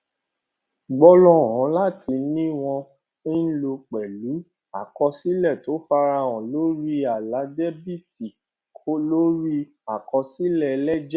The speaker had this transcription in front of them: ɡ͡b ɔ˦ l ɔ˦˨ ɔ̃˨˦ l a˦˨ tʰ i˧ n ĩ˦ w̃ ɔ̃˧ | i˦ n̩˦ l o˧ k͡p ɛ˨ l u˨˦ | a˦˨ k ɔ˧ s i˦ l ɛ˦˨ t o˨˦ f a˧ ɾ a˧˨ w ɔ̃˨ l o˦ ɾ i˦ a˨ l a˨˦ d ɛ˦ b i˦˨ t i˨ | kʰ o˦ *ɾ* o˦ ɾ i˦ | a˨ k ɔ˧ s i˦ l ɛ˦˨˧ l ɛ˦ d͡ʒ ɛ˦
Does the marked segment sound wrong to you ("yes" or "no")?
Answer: yes